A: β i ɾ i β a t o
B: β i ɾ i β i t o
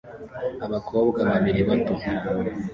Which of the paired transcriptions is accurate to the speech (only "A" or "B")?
A